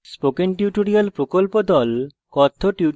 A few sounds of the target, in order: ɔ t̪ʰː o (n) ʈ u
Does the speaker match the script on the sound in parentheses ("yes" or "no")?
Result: no